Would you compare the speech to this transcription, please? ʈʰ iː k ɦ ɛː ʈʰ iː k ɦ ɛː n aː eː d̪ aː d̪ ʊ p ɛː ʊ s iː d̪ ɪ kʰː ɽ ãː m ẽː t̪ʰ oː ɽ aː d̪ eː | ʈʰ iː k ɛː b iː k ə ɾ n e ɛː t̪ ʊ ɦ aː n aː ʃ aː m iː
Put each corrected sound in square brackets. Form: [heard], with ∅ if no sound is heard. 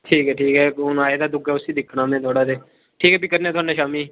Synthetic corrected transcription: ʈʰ iː k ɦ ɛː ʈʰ iː k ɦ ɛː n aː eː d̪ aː d̪ ʊ [k] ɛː ʊ s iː d̪ ɪ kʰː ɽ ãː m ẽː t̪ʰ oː ɽ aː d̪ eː | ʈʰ iː k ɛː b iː k ə ɾ n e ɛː t̪ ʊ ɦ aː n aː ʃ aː m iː